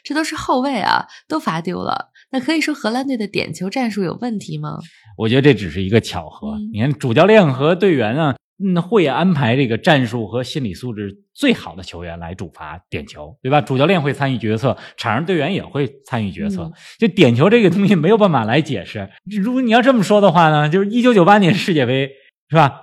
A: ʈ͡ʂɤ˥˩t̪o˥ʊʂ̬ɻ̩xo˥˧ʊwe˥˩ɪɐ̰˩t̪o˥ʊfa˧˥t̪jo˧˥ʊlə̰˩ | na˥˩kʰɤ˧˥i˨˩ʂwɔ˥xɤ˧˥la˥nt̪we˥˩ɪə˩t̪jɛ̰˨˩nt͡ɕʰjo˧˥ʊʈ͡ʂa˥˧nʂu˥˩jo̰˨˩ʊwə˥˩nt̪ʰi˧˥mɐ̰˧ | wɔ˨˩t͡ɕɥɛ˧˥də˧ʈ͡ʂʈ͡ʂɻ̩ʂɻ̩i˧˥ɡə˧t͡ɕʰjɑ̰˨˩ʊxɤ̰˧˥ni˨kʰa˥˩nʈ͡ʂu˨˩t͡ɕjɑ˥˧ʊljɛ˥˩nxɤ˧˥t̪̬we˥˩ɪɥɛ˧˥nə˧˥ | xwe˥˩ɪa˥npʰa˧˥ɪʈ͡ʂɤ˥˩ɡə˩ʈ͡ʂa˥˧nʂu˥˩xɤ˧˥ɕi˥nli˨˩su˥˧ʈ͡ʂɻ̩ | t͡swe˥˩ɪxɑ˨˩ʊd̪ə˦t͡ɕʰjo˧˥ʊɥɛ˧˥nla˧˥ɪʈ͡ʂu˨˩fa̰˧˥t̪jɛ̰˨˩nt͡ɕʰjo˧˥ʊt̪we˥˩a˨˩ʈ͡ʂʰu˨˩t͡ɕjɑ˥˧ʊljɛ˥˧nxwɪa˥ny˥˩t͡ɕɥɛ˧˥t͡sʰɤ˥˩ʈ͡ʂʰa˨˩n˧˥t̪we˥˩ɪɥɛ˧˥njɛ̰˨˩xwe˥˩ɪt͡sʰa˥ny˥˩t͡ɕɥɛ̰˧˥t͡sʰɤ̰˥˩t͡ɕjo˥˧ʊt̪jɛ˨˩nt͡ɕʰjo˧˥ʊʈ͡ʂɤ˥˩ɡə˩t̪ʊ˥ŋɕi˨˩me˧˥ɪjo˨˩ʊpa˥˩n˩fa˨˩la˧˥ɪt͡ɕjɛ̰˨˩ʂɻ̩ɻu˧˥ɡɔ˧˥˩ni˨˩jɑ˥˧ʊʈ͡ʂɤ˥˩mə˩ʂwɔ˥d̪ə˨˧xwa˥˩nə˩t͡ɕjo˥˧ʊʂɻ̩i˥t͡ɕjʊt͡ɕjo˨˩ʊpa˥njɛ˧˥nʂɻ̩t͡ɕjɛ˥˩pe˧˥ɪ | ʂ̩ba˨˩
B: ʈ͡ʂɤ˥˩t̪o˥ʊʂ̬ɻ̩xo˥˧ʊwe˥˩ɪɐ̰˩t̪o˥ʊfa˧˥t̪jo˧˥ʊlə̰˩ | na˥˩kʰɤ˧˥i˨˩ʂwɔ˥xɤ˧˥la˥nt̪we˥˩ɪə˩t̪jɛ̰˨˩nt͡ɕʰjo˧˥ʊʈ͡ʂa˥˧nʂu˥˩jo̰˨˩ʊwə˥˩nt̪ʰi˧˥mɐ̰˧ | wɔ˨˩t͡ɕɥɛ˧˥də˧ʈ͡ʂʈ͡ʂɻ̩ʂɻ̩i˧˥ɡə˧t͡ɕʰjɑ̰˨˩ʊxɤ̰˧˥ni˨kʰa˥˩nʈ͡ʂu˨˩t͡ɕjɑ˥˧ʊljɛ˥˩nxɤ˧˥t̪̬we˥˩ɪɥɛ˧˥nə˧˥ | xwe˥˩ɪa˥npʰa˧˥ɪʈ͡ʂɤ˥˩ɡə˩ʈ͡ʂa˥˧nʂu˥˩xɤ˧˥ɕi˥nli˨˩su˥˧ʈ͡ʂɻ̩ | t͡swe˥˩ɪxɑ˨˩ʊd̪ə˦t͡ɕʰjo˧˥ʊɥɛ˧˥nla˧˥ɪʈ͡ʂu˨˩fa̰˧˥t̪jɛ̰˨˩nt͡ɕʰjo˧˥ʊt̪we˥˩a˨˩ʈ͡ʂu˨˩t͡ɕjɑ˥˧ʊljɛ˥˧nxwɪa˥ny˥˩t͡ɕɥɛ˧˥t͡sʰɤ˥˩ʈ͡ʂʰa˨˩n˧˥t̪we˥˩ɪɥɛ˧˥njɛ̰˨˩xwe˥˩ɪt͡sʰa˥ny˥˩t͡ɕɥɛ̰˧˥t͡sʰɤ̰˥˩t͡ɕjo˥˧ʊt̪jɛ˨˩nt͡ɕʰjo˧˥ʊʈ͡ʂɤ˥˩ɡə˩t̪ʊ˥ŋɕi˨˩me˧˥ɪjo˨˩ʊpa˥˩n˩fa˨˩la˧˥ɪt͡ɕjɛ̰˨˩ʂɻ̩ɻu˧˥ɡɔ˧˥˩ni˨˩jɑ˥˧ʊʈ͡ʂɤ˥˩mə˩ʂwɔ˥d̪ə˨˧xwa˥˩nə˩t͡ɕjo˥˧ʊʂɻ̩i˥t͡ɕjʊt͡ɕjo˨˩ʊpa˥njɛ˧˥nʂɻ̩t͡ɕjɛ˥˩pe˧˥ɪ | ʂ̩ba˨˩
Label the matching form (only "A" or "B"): B